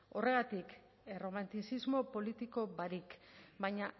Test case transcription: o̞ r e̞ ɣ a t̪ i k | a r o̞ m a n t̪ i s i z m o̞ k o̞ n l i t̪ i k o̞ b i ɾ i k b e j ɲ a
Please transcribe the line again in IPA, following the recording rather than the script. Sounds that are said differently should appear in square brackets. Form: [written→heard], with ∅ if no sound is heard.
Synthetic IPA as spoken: o̞ r e̞ ɣ a t̪ i k | [a→e] r o̞ m a n t̪ i s i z m o̞ [k→p] o̞ [n→∅] l i t̪ i k o̞ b [i→a] ɾ i k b [e→a] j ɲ a